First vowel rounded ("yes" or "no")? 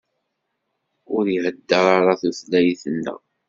yes